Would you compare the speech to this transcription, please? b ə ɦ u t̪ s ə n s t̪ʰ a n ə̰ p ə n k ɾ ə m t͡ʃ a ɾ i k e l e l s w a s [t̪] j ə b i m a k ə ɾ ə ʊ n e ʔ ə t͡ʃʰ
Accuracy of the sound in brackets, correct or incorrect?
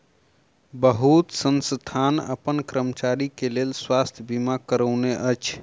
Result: incorrect